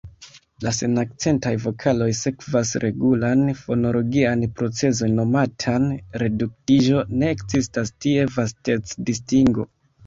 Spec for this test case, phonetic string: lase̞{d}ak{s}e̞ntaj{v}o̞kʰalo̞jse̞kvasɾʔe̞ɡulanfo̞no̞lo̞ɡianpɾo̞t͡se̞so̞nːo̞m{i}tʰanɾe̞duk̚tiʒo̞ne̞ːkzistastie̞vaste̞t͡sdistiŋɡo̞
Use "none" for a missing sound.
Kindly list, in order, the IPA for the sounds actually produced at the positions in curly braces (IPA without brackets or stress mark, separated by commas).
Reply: n, t͡s, v, a